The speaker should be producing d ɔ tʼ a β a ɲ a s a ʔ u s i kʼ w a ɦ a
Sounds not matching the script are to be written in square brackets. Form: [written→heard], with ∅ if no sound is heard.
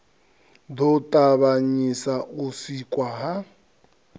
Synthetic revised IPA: d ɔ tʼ a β a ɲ [a→i] s a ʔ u s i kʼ w a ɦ a